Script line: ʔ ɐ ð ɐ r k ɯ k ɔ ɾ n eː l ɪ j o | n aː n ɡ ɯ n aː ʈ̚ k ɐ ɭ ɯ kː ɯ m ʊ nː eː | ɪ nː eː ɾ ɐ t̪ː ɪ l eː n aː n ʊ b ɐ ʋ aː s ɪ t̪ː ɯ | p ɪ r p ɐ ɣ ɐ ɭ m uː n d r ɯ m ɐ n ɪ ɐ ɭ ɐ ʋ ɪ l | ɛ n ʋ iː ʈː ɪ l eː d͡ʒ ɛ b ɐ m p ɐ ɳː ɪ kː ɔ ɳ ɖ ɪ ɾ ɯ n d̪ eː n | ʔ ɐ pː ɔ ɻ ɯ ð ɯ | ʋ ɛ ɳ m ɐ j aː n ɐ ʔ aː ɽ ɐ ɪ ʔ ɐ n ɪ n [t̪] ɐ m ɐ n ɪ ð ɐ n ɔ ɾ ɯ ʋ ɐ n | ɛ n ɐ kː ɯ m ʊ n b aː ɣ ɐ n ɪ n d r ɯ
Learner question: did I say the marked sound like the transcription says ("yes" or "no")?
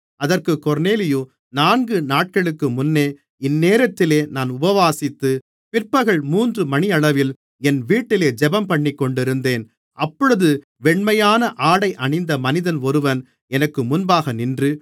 no